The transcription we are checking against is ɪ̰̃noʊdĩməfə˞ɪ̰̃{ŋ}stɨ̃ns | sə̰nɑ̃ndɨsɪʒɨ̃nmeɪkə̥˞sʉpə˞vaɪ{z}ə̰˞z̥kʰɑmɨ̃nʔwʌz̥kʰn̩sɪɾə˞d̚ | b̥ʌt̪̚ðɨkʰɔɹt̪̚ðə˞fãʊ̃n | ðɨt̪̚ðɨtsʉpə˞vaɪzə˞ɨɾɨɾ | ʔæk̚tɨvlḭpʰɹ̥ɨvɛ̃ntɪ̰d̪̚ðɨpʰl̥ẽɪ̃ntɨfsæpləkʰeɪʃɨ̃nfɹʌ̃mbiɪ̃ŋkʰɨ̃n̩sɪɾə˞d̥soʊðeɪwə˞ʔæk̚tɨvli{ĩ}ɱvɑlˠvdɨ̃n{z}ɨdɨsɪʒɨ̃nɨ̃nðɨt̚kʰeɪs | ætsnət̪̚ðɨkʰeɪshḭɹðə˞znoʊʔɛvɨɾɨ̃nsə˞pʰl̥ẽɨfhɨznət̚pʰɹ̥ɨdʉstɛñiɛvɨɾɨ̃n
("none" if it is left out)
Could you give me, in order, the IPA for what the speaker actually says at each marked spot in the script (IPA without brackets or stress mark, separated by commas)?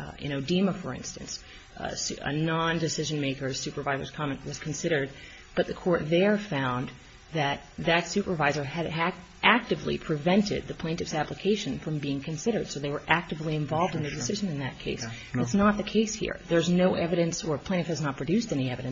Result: n, z, ɨ̃, ð